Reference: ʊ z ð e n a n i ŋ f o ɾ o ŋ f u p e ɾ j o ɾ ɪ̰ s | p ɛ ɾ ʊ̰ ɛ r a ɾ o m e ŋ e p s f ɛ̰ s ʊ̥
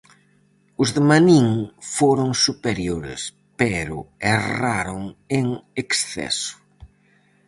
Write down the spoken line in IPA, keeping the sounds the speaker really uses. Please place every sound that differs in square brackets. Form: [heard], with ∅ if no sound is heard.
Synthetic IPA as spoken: ʊ z ð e [m] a n i ŋ f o ɾ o ŋ [s] u p e ɾ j o ɾ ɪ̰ s | p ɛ ɾ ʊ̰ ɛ r a ɾ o [ŋ] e ŋ e [k] s [θ] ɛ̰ s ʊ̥